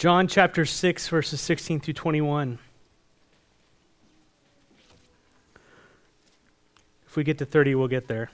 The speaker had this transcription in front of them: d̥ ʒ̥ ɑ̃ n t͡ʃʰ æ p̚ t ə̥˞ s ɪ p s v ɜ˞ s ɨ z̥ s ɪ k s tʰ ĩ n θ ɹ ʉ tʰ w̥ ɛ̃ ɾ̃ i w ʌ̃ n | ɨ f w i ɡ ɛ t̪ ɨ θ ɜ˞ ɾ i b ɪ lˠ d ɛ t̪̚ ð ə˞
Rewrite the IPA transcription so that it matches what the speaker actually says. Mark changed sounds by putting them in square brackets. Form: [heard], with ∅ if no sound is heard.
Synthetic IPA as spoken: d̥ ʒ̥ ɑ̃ n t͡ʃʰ æ p̚ t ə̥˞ s ɪ [k] s v ɜ˞ s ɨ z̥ s ɪ k s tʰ ĩ n θ ɹ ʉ tʰ w̥ ɛ̃ ɾ̃ i w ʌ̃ n | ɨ f w i ɡ ɛ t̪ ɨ θ ɜ˞ ɾ i [w] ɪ lˠ [ɡ] ɛ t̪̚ ð ə˞